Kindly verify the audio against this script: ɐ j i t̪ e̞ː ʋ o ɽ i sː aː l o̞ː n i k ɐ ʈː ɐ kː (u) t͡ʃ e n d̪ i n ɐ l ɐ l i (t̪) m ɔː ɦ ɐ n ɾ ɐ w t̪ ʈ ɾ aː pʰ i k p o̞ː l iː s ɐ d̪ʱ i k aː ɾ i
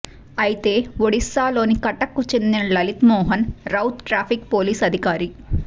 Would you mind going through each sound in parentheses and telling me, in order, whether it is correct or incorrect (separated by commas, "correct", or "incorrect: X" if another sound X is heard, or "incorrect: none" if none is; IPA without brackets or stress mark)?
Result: correct, correct